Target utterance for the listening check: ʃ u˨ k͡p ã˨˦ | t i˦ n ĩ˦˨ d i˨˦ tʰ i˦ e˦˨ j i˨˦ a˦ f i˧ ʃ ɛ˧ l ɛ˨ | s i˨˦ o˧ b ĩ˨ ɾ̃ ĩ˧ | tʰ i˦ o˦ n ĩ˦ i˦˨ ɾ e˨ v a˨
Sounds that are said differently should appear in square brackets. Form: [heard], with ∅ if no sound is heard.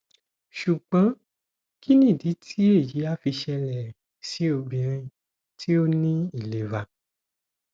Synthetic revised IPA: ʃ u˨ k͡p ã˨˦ | [k] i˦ n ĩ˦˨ d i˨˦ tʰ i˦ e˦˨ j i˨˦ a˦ f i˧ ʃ ɛ˧ l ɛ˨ | s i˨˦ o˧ b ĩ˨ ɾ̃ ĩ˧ | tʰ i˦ o˦ n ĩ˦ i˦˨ [l] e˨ v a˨

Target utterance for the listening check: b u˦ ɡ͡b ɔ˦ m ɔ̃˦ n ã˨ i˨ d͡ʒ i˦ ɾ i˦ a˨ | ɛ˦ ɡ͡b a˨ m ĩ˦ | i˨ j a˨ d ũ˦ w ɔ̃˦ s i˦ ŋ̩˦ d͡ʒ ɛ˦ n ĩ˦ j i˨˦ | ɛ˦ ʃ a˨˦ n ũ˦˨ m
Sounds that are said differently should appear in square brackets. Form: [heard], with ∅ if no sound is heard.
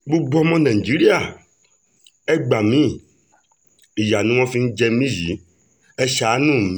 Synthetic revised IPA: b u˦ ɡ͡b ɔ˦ m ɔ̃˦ n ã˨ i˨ d͡ʒ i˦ ɾ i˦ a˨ | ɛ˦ ɡ͡b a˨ m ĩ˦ | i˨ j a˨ [n] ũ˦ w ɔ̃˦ [f] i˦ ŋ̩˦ d͡ʒ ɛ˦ [m] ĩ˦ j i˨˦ | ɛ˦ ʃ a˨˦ n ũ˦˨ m

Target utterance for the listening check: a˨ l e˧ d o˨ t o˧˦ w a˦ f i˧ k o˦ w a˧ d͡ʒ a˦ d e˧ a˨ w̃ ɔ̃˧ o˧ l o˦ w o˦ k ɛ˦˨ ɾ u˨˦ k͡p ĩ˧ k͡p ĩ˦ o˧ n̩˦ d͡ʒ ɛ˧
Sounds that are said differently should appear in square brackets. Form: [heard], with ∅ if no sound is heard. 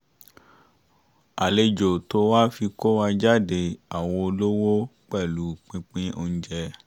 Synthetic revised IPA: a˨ l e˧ [d͡ʒ] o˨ t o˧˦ w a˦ f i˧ k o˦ w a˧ d͡ʒ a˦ d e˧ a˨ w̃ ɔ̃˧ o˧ l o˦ w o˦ [k͡p] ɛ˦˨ [l] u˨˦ k͡p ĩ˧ k͡p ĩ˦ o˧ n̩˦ d͡ʒ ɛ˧

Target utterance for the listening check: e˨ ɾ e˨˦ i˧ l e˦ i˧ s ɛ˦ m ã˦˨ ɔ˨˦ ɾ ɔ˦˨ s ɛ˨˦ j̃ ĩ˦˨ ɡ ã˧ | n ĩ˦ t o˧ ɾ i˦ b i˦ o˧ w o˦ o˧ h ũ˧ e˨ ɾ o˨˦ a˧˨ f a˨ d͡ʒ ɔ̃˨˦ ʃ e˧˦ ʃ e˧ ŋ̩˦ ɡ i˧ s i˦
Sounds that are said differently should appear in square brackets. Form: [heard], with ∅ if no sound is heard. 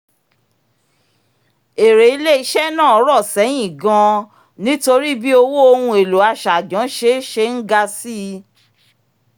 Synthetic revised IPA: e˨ ɾ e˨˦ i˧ l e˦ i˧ [ʃ] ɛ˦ [n] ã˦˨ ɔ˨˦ ɾ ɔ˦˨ s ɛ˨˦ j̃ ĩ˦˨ ɡ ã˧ | n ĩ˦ t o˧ ɾ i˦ b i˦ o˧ w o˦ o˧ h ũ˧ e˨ [l] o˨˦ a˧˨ [ʃ] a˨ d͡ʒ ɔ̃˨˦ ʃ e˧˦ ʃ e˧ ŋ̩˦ ɡ [a˧] s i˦

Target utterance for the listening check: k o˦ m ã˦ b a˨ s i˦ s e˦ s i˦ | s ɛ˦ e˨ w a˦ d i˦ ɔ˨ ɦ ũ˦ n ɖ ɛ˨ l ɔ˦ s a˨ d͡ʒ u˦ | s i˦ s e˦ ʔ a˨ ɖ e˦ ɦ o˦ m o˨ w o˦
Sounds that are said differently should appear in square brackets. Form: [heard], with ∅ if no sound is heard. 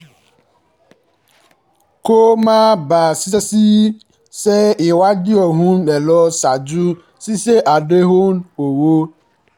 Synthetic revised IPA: k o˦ m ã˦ b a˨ s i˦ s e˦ s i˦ | s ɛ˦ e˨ w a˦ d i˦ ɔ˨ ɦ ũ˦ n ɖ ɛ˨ l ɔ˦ s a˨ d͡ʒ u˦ | s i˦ s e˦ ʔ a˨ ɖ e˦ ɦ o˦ [n] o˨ w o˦

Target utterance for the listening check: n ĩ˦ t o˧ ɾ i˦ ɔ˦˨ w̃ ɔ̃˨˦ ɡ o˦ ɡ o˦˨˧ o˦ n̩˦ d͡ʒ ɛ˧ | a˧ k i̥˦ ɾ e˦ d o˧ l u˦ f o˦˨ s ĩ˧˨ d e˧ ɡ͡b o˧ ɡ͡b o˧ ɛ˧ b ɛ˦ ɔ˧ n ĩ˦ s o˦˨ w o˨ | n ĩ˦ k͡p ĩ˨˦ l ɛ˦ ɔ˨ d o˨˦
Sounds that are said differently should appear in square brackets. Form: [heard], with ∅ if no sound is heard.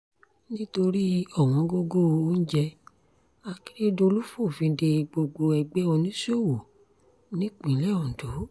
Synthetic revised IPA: n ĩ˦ t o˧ ɾ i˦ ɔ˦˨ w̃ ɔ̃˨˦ ɡ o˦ ɡ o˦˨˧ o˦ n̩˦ d͡ʒ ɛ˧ | a˧ k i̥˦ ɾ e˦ d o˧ l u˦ f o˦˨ [f] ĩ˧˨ d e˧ ɡ͡b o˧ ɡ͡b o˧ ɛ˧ [ɡ͡b] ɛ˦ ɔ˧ n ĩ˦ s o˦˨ w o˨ | n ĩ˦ k͡p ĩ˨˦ l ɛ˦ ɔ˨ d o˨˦

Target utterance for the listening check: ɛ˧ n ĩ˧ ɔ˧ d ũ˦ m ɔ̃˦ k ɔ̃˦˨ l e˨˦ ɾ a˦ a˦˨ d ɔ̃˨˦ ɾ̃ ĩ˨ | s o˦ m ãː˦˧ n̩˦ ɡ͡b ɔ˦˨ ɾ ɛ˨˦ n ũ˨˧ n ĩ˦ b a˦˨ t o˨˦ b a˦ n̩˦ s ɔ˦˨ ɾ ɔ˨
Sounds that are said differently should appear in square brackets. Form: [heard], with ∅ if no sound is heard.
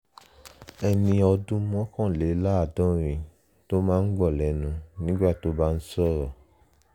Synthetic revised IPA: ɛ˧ n ĩ˧ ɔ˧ d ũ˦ m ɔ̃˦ k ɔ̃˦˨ l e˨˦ [l] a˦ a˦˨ d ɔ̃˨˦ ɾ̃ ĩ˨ | [t] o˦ m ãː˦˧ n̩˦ ɡ͡b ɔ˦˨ [l] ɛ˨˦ n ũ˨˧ n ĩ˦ [ɡ͡b] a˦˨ t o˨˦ b a˦ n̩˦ s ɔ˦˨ ɾ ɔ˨

